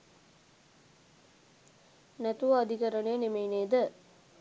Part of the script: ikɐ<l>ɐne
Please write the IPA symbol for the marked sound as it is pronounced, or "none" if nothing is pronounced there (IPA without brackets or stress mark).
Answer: ɾ